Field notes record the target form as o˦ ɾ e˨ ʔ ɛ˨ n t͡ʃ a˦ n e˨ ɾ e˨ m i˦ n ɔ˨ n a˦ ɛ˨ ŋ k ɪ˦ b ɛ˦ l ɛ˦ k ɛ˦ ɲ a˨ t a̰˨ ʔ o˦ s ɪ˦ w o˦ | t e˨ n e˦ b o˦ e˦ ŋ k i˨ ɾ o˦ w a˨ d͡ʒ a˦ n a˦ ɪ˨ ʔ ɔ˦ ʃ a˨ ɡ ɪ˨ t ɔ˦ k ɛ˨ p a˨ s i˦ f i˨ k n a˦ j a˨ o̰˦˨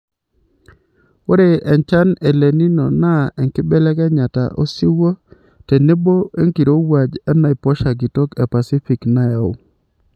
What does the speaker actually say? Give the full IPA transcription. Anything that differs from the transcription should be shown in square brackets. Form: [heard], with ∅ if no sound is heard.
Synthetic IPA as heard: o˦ ɾ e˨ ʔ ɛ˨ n t͡ʃ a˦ n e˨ [l] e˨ [n] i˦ n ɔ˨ n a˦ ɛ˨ ŋ k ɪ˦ b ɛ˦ l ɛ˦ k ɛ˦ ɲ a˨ t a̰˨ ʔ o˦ s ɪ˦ w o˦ | t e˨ n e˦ b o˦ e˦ ŋ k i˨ ɾ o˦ w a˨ d͡ʒ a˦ n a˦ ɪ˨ [p] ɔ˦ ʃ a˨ ɡ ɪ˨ t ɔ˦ k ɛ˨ p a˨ s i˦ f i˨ k n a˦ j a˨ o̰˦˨